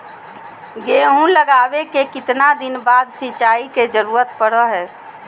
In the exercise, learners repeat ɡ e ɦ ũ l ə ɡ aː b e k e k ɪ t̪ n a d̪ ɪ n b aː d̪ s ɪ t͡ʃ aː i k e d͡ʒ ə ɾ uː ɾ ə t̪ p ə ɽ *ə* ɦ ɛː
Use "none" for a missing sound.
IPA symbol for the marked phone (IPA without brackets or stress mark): ə